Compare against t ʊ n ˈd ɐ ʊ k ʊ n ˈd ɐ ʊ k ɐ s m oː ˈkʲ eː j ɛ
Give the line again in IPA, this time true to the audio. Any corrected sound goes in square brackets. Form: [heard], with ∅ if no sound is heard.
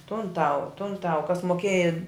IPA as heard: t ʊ n [ˈt] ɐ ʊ [t] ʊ n [ˈt] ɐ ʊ k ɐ s m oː ˈkʲ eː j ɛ

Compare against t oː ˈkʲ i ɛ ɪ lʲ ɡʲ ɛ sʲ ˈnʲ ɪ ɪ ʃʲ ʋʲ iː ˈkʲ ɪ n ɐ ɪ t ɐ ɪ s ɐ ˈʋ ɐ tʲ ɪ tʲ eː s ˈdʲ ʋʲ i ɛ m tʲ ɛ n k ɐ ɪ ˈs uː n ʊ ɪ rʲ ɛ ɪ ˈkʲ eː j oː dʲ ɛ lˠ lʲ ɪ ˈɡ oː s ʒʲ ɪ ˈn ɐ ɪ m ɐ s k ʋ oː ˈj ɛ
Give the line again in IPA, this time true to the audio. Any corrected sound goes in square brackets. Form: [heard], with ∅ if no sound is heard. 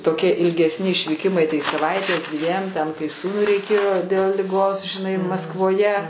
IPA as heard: t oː ˈkʲ i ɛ ɪ lʲ ɡʲ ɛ sʲ ˈnʲ ɪ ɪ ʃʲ ʋʲ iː ˈkʲ ɪ [m] ɐ ɪ t ɐ ɪ s ɐ ˈʋ ɐ [∅] ɪ tʲ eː s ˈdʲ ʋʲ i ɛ m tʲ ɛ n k ɐ ɪ ˈs uː n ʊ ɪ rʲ ɛ ɪ ˈkʲ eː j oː dʲ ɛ lˠ lʲ ɪ ˈɡ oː s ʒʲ ɪ ˈn ɐ ɪ m ɐ s k ʋ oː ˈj ɛ

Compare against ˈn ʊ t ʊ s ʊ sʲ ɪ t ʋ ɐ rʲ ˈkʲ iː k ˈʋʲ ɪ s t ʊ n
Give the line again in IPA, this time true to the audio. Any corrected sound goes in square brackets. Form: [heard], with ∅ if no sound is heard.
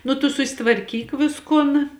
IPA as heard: ˈn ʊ t ʊ s ʊ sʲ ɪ t ʋ ɐ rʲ ˈkʲ iː k ˈʋʲ ɪ s [k] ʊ n

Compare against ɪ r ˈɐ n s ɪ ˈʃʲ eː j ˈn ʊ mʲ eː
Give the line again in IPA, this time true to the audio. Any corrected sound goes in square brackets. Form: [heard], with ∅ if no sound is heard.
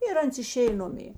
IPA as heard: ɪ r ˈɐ n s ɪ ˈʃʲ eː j ˈn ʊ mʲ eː

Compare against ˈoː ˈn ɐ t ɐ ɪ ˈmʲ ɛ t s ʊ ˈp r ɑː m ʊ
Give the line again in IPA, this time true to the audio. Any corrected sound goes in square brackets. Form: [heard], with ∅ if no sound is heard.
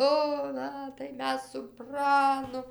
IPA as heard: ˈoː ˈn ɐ t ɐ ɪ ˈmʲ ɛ [s] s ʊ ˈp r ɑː [n] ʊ

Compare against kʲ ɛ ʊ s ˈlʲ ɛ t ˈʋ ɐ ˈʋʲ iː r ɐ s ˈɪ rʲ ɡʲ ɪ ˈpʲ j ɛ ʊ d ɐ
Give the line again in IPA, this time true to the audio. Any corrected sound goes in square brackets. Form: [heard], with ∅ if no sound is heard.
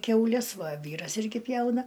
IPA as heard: kʲ ɛ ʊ [∅] ˈlʲ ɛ [s] ˈʋ ɐ ˈʋʲ iː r ɐ s ˈɪ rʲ ɡʲ ɪ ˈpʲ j ɛ ʊ [n] ɐ

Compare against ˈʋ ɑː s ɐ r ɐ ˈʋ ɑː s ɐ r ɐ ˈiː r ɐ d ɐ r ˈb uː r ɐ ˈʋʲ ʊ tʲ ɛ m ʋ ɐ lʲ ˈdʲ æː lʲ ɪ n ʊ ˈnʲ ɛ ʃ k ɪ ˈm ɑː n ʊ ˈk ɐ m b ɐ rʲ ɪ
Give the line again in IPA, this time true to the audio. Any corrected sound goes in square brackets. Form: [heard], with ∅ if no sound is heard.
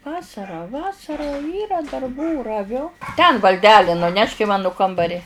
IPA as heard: ˈʋ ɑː s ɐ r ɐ ˈʋ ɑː s ɐ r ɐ ˈiː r ɐ d ɐ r ˈb uː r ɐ ˈʋʲ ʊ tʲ ɛ [n] ʋ ɐ lʲ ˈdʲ æː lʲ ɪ n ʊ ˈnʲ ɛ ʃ k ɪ ˈm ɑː n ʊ ˈk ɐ m b ɐ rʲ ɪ

